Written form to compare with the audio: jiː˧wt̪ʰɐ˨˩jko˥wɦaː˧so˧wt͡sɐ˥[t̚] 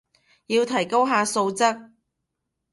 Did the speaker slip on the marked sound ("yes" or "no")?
yes